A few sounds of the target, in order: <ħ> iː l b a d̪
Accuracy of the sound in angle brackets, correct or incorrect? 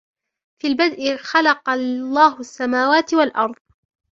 incorrect